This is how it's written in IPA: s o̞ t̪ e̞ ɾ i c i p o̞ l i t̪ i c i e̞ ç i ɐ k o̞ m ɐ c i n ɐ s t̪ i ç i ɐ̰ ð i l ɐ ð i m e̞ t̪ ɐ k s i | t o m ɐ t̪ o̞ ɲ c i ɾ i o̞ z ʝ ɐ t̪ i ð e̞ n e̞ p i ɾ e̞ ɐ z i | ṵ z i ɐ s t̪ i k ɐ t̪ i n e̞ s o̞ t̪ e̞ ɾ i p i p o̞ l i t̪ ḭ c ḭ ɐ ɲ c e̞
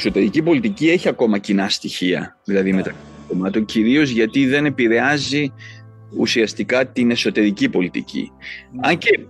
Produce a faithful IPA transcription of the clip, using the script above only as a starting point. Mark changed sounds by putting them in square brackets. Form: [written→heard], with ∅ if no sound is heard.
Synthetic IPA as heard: s o̞ t̪ e̞ ɾ i c i p o̞ l i t̪ i c i e̞ ç i ɐ k o̞ m ɐ c i n ɐ s t̪ i ç i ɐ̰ ð i l ɐ ð i m e̞ t̪ ɐ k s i | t o m ɐ t̪ o̞ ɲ c i ɾ i o̞ z ʝ ɐ t̪ i ð e̞ n e̞ p i ɾ e̞ ɐ z i | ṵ [z→s] i ɐ s t̪ i k ɐ t̪ i n e̞ s o̞ t̪ e̞ ɾ i [p→c] i p o̞ l i t̪ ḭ c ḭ ɐ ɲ c e̞